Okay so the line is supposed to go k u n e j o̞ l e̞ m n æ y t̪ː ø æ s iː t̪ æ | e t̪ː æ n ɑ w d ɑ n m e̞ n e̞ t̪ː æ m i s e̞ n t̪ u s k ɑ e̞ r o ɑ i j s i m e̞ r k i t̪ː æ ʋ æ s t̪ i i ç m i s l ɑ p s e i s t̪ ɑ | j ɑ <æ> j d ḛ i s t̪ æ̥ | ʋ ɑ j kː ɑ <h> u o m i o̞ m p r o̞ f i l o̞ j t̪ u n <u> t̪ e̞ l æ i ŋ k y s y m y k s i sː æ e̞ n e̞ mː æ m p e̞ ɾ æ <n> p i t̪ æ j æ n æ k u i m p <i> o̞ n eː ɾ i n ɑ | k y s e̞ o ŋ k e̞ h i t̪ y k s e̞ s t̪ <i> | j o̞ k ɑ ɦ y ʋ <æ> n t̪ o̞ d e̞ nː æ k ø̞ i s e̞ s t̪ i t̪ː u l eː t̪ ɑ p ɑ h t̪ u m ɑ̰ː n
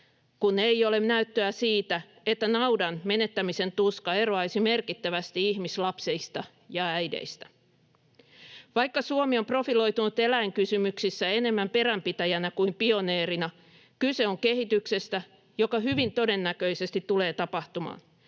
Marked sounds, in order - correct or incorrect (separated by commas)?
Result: correct, incorrect, correct, incorrect, correct, incorrect, incorrect